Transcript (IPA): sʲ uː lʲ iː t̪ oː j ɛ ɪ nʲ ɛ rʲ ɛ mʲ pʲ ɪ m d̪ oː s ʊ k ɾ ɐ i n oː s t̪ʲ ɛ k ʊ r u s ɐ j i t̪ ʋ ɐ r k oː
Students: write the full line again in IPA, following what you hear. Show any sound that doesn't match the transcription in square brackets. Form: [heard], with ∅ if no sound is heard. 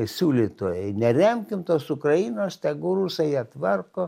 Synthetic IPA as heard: sʲ uː lʲ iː t̪ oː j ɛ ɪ nʲ ɛ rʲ ɛ mʲ [kʲ] ɪ m [t̪] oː s ʊ k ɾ ɐ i n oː s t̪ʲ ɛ [ɡ] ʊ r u s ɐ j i t̪ ʋ ɐ r k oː